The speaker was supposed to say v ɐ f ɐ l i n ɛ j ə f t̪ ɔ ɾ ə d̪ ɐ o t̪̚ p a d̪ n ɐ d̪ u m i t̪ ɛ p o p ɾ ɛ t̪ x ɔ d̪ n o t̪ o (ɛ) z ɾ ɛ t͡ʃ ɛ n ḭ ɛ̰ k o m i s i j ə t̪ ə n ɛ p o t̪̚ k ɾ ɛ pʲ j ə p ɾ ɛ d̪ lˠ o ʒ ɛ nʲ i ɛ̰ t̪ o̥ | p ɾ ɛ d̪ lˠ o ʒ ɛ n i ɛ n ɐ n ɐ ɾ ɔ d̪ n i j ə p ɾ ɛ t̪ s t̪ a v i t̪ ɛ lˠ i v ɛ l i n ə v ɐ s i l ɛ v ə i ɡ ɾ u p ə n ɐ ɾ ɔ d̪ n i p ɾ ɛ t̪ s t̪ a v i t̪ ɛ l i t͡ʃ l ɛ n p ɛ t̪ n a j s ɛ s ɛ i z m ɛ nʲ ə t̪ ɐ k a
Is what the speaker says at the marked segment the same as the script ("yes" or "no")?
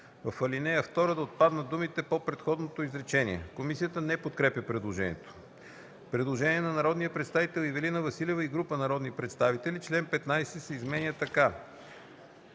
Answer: no